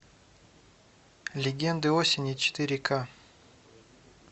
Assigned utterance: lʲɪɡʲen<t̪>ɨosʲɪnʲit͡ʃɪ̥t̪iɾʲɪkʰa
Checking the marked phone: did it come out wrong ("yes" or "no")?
yes